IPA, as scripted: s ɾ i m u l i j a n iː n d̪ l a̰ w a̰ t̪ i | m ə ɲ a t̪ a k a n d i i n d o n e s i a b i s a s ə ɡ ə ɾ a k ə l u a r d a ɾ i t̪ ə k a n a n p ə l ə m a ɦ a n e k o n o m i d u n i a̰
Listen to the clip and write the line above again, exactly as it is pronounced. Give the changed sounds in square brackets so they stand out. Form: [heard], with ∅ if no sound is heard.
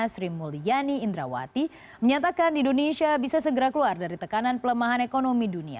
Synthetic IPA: s ɾ i m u l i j a n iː n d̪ [ɾ] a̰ w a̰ t̪ i | m ə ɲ a t̪ a k a n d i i n d o n e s i a b i s a s ə ɡ ə ɾ a k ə l u a r d a ɾ i t̪ ə k a n a n p ə l ə m a ɦ a n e k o n o m i d u n i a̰